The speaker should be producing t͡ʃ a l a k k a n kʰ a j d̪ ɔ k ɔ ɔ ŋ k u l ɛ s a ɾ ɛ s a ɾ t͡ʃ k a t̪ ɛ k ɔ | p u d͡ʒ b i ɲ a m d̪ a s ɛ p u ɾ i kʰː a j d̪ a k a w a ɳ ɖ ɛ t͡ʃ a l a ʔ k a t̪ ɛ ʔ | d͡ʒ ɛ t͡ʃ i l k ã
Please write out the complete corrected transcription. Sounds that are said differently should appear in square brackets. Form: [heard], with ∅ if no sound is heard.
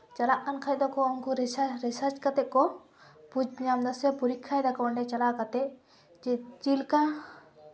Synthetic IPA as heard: t͡ʃ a l a [ʔ] k a n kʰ a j d̪ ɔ k ɔ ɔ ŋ k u [ɾ] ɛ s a ɾ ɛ s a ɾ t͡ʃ k a t̪ ɛ k ɔ | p u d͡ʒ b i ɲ a m d̪ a s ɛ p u ɾ i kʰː a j d̪ a k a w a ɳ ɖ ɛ t͡ʃ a l a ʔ k a t̪ ɛ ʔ | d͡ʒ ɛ t͡ʃ i l k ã